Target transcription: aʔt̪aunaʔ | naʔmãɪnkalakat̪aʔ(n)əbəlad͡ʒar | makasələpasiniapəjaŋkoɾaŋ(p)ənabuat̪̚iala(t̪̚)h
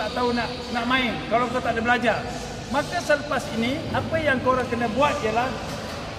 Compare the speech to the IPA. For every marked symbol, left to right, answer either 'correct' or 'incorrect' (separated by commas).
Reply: incorrect, incorrect, incorrect